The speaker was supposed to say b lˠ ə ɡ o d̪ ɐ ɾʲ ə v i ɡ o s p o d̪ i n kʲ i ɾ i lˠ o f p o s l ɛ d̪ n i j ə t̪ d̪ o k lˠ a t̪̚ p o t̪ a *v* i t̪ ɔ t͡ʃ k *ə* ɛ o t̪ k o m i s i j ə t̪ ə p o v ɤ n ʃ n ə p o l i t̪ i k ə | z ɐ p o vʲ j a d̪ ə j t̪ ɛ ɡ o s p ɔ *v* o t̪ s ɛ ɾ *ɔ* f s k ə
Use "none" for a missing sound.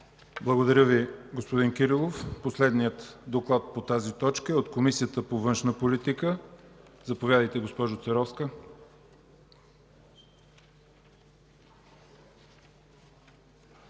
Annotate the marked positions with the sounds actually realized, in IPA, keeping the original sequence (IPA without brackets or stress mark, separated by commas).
z, ə, ʒ, ɔ